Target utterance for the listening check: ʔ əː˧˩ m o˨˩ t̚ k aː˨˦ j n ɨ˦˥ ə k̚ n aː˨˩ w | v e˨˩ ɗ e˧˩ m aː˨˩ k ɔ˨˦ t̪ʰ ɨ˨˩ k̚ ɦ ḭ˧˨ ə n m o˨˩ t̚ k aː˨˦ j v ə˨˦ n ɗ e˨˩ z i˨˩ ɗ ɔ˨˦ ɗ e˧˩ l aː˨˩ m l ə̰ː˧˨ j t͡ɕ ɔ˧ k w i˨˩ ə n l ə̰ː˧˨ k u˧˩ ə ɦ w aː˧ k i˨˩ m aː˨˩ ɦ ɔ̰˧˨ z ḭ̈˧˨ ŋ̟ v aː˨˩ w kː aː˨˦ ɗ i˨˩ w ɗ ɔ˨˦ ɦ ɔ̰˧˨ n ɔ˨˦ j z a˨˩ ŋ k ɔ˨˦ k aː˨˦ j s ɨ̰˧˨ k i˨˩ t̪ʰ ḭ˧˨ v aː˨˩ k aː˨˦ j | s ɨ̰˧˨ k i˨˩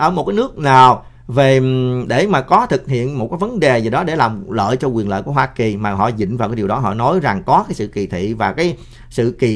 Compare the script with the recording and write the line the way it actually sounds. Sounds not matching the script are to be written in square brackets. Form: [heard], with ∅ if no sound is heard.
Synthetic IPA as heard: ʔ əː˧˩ m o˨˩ t̚ k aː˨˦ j n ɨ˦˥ ə k̚ n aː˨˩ w | v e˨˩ ɗ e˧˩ m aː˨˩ k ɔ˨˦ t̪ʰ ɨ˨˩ k̚ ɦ ḭ˧˨ ə n m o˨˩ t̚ k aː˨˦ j v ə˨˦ n ɗ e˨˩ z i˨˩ ɗ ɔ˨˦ ɗ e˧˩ l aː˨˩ m l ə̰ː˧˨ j t͡ɕ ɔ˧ k w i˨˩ ə n l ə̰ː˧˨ k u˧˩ ə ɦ w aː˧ k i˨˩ m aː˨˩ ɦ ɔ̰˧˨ z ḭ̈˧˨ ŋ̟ v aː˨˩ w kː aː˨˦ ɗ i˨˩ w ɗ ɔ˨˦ ɦ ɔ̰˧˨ n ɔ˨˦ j z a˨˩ ŋ k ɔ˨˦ k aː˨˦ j s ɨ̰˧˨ k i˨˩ t̪ʰ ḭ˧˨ v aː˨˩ k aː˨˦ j | s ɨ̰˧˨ k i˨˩